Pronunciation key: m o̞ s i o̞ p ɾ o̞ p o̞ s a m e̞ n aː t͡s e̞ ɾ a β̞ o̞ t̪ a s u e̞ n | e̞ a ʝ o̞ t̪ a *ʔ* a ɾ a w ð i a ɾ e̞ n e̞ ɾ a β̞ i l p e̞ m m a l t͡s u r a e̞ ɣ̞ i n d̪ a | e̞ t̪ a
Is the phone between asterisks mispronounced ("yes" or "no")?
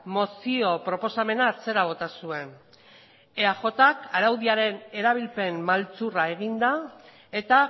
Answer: yes